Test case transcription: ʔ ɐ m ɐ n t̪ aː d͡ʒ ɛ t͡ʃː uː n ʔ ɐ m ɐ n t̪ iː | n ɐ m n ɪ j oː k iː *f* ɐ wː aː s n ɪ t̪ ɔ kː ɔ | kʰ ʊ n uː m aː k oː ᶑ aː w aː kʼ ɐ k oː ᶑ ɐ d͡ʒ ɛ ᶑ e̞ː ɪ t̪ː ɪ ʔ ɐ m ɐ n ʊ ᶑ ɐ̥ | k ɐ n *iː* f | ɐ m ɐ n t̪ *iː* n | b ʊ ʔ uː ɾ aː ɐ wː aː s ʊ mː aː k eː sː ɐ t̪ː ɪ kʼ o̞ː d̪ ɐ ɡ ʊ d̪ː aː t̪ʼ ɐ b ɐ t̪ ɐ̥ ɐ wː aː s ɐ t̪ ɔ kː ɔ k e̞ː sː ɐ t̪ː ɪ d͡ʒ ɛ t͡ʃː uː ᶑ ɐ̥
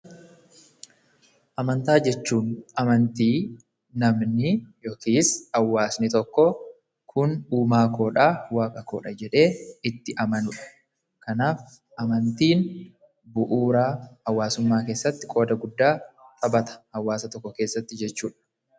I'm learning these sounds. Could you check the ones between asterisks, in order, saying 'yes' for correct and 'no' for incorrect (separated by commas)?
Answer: no, no, yes